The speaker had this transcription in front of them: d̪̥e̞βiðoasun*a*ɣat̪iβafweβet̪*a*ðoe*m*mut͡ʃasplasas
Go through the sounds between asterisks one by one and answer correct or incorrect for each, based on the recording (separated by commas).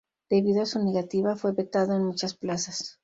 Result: incorrect, correct, incorrect